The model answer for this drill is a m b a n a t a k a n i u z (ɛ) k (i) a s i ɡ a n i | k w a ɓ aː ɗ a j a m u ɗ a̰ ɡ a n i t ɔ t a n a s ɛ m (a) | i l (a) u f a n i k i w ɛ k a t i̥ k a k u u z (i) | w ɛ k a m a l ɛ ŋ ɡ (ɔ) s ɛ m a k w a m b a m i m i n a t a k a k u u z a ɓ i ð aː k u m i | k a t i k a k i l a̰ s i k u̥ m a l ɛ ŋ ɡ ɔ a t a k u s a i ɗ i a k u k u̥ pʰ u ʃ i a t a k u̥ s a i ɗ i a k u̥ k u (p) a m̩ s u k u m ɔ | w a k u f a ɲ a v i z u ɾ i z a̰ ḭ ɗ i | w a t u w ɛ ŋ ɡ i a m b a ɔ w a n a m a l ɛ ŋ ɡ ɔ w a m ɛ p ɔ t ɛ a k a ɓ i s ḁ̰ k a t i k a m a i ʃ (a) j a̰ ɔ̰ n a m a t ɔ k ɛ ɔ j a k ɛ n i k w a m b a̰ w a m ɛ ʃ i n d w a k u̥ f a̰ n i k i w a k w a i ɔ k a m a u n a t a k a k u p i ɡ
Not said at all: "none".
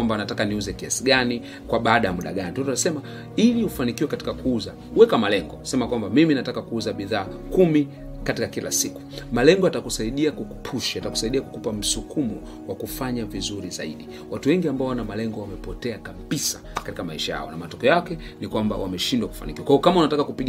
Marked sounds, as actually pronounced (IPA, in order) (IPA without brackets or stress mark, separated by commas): ɛ, i, a, i, a, ɔ, p, a